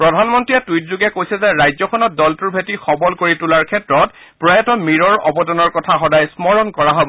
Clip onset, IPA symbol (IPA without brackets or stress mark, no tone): p